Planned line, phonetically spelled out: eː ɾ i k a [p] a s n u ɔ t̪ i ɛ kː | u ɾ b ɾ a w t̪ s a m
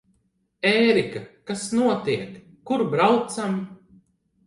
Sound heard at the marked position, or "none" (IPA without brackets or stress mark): k